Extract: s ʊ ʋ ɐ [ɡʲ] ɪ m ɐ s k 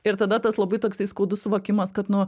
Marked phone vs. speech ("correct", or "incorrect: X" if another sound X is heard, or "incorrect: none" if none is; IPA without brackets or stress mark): incorrect: kʲ